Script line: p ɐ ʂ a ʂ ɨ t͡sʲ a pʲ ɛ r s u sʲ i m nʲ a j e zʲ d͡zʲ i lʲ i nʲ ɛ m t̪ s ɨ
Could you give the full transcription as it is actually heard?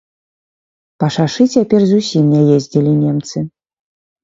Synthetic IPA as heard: p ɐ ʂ a ʂ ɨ t͡sʲ a pʲ ɛ r z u sʲ i m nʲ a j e zʲ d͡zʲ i lʲ i nʲ ɛ m t̪ s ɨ